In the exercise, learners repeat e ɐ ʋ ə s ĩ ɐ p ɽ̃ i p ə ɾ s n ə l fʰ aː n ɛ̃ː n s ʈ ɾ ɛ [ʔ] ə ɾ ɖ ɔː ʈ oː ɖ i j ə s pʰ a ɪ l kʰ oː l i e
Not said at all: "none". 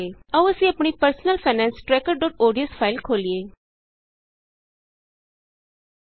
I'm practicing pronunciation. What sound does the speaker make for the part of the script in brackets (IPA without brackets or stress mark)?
k